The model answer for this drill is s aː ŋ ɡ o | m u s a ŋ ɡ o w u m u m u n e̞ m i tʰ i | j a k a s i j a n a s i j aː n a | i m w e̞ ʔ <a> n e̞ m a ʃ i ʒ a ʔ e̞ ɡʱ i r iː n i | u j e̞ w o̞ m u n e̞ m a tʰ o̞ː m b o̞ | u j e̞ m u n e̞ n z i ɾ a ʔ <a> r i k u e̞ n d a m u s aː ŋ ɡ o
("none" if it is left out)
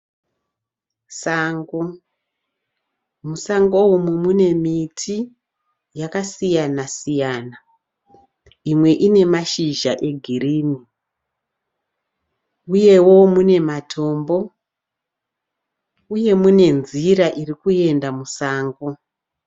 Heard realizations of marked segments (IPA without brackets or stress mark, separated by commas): i, i